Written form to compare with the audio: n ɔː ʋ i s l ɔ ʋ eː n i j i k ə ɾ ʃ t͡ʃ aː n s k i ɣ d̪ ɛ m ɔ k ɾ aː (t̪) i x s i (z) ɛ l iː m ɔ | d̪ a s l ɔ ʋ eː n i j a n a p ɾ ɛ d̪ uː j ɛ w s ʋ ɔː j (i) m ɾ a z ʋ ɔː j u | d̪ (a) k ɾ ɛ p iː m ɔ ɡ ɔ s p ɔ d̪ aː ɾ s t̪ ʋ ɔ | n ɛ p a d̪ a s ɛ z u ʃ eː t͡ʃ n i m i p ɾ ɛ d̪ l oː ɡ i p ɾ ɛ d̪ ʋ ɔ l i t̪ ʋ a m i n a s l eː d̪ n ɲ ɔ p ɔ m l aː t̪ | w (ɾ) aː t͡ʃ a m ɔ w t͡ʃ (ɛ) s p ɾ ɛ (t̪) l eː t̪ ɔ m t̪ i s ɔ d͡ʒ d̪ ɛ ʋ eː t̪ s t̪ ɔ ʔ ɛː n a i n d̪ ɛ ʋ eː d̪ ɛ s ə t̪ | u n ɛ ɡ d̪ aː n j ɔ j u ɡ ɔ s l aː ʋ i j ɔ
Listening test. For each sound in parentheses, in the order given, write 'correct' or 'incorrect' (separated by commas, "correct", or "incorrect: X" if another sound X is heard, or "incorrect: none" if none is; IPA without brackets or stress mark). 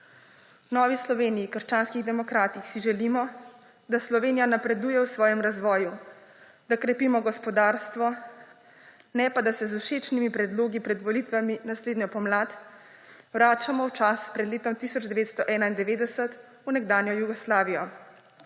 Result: correct, incorrect: ʒ, incorrect: ɛ, correct, correct, incorrect: a, incorrect: d̪